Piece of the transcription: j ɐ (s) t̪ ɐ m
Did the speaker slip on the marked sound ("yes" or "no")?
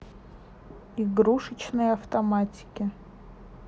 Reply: yes